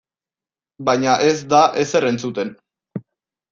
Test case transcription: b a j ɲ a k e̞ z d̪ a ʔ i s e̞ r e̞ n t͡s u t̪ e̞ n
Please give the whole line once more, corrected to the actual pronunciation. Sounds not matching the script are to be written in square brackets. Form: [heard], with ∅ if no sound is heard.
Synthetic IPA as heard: b a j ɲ a [ʔ] e̞ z d̪ a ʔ [e] s e̞ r e̞ n t͡s u t̪ e̞ n